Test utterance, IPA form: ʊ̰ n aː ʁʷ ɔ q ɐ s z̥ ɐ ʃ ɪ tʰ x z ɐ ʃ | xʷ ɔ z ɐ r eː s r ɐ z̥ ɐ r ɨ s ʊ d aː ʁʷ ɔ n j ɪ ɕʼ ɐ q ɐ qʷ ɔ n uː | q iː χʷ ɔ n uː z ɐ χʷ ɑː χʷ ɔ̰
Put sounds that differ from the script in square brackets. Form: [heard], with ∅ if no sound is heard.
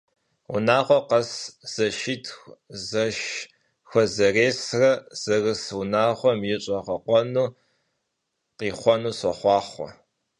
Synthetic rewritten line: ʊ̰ n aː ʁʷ ɔ q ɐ s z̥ ɐ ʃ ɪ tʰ x z ɐ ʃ | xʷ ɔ z ɐ r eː s r ɐ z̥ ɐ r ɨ s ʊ [n] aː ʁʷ ɔ [m] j ɪ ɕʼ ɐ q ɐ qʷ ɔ n uː | q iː χʷ ɔ n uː [s] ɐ χʷ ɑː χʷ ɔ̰